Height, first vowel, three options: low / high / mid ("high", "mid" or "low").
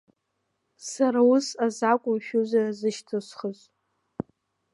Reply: low